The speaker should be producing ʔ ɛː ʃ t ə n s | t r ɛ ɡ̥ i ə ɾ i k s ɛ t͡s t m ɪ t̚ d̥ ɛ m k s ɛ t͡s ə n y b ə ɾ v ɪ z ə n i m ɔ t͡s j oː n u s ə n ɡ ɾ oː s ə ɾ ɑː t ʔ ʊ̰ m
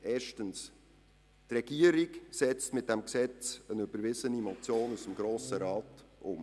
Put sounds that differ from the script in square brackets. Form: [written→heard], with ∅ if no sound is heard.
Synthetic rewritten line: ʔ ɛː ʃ t ə n s | t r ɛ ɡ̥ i ə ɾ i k s ɛ t͡s t m ɪ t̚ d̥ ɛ m k s ɛ t͡s ə n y b ə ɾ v ɪ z ə n i m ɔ t͡s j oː n u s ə [n→m] ɡ ɾ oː s ə ɾ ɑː t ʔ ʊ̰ m